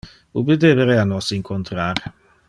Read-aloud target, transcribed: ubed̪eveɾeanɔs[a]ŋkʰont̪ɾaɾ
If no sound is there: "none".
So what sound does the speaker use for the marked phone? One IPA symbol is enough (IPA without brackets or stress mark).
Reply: i